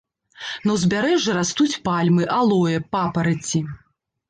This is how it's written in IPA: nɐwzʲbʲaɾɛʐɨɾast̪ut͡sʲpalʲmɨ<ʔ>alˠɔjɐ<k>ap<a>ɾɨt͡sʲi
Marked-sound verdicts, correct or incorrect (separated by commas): correct, incorrect, incorrect